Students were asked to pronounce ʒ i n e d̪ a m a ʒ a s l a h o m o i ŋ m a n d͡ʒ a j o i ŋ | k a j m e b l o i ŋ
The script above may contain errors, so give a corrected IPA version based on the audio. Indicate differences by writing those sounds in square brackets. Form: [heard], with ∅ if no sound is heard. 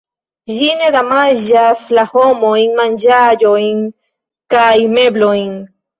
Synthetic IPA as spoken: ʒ i n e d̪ a m a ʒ a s l a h o m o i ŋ m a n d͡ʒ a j o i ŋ | k a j m e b l o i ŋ